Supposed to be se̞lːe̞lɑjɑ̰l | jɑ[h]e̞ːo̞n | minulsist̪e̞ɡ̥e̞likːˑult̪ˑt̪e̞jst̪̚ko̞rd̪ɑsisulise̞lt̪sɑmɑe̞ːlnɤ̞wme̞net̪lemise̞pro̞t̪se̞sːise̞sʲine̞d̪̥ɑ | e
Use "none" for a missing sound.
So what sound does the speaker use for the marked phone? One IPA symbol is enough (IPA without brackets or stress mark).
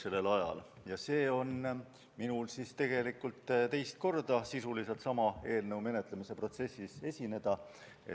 s